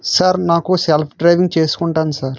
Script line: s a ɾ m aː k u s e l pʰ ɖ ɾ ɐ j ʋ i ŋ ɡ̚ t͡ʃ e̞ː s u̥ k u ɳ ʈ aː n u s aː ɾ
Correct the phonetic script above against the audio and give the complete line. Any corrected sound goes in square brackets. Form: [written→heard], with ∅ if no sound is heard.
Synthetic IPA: s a ɾ [m→n] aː k u s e l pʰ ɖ ɾ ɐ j ʋ i ŋ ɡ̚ t͡ʃ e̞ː s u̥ k u ɳ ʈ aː n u s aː ɾ